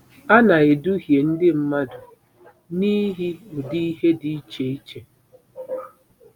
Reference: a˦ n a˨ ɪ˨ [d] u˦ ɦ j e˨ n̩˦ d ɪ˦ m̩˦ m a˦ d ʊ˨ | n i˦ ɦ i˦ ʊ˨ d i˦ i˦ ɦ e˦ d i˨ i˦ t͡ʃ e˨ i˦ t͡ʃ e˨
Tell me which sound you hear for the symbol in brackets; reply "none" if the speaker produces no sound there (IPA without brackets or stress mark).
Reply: d